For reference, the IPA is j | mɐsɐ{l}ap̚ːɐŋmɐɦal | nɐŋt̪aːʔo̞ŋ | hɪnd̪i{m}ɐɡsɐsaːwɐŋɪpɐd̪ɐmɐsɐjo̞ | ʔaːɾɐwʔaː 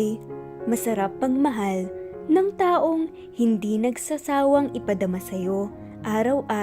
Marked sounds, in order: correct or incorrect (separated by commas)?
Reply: incorrect, incorrect